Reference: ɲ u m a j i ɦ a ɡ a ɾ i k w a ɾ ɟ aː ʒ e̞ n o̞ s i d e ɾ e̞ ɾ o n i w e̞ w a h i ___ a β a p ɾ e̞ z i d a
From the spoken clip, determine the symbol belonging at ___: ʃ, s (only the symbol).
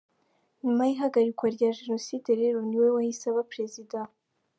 s